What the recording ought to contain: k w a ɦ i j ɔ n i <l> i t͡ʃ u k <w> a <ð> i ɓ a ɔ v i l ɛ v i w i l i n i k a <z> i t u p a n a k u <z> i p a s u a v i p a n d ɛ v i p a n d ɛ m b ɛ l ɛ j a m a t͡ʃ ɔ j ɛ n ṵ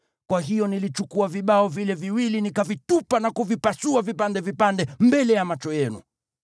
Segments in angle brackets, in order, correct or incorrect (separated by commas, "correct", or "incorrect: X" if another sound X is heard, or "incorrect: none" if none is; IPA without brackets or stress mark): correct, incorrect: u, incorrect: v, incorrect: v, incorrect: v